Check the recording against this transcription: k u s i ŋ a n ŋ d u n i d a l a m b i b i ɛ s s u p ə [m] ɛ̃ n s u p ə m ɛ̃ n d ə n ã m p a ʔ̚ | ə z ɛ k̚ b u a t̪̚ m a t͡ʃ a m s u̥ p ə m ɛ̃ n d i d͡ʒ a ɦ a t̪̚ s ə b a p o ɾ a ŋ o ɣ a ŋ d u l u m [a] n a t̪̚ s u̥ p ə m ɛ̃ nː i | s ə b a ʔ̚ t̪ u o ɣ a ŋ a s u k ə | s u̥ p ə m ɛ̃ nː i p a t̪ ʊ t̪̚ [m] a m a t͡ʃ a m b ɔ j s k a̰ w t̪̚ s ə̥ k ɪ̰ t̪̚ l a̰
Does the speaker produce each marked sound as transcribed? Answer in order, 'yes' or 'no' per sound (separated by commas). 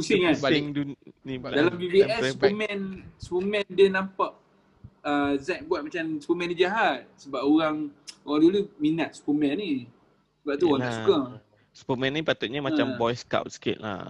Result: yes, no, no